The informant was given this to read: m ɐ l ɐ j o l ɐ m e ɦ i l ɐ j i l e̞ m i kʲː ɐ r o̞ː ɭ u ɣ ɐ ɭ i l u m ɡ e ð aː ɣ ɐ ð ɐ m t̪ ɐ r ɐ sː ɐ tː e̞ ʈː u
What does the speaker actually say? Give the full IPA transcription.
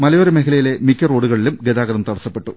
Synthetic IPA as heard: m ɐ l ɐ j o ɾ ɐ m e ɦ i l ɐ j i l e̞ m i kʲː ɐ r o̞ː ɽ u ɣ ɐ ɭ i l u m ɡ e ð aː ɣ ɐ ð ɐ m t̪ ɐ ɽ ɐ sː ɐ pː e̞ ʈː u